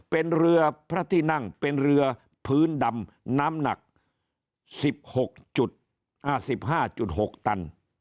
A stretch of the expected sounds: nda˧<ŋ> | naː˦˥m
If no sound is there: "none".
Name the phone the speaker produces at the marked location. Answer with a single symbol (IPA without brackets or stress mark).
m